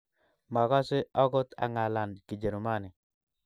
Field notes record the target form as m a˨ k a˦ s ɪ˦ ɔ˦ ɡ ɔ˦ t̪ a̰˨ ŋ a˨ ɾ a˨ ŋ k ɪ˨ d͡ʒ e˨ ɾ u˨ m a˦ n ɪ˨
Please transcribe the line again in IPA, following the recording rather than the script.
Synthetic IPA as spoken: m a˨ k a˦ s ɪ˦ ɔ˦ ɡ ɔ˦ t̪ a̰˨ ŋ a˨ l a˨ n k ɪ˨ d͡ʒ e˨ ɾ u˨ m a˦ n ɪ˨